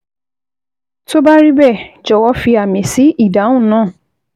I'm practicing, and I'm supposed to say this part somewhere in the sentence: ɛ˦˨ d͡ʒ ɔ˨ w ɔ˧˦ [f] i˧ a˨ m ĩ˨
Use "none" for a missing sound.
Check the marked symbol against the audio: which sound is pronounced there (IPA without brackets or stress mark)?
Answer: f